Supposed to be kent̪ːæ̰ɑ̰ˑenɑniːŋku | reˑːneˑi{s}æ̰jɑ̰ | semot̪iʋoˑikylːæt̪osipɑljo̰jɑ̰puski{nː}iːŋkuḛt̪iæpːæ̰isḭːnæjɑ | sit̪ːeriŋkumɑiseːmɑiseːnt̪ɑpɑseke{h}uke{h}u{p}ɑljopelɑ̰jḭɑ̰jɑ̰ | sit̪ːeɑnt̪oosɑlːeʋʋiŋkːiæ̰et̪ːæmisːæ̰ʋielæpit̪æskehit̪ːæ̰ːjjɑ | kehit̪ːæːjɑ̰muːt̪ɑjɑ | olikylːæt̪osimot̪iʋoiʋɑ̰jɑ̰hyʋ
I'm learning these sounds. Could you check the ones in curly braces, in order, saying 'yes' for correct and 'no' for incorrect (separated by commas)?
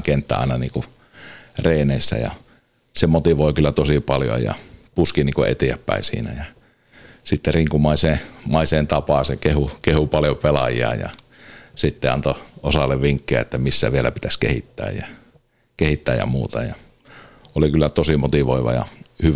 no, no, yes, yes, yes